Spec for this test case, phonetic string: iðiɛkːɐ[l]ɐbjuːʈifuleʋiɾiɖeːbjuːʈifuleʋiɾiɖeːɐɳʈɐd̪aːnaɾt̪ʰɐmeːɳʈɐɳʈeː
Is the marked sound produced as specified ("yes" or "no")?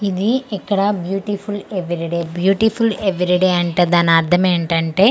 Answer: no